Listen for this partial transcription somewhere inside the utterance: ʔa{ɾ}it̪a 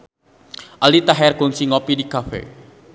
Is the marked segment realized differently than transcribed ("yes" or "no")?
yes